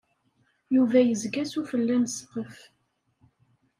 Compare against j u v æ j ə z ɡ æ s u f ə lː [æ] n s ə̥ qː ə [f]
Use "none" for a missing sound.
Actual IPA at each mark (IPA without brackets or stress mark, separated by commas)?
æ, f